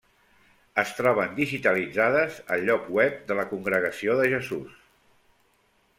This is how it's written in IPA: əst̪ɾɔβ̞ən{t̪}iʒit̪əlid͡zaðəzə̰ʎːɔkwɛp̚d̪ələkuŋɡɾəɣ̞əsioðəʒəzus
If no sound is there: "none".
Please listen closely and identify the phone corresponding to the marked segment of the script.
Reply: d̪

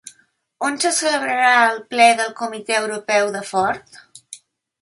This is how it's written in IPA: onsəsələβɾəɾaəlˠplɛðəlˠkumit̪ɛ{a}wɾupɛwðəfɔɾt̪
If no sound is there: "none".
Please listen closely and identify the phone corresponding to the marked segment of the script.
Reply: ə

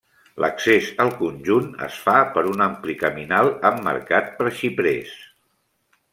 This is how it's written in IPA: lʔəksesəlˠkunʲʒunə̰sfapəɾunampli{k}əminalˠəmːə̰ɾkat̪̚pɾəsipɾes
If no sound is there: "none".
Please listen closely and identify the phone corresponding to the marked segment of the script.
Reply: k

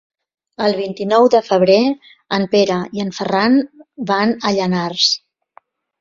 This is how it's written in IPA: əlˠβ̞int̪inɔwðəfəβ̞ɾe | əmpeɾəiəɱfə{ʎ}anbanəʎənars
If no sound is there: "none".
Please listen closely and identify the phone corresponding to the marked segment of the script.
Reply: r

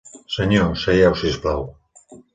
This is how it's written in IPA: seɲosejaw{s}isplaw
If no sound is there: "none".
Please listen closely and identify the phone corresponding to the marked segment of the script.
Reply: s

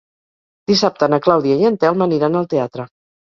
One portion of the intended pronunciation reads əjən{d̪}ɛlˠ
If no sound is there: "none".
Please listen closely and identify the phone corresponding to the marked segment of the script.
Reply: t̪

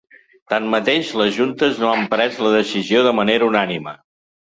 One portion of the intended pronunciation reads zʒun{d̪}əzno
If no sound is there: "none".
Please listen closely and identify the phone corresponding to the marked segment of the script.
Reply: t̪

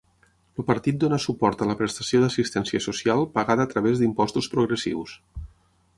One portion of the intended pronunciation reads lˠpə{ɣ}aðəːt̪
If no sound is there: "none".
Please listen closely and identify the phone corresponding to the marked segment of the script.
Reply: ɣ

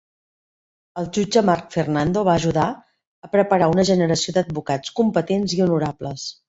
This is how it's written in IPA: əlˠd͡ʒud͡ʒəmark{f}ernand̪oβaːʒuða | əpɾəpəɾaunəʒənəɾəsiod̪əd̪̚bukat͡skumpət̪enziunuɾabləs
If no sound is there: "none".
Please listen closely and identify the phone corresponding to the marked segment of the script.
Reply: f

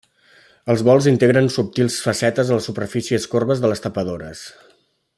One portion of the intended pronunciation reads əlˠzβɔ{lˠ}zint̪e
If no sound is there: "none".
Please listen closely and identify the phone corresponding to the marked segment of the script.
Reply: lˠ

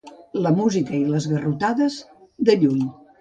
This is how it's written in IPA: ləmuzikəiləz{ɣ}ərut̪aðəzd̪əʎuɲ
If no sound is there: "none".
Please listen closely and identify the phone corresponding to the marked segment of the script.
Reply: ɣ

